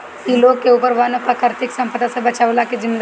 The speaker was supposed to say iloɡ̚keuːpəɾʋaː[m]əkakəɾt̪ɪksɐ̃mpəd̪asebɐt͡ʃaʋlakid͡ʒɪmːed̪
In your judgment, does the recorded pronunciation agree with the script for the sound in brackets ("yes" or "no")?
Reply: no